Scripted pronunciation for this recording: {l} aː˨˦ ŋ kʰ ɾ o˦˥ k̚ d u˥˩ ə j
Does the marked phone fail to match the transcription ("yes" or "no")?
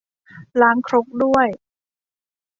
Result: no